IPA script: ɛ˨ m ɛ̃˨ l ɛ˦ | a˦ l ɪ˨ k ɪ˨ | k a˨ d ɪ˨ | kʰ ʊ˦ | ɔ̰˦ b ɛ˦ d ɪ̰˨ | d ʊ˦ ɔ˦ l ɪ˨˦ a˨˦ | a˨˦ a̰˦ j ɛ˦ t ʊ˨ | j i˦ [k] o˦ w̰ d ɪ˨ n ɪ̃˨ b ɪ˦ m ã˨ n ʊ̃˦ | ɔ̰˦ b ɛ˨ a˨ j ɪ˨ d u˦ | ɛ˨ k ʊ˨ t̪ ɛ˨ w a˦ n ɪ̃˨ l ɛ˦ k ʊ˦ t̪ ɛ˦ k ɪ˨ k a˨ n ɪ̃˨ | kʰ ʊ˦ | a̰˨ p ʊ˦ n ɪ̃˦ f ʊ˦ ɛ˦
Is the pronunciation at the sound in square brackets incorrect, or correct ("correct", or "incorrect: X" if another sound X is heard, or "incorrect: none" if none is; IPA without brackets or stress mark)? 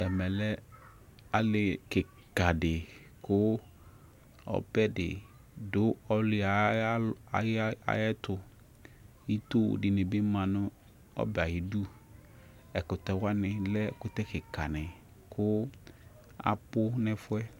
incorrect: t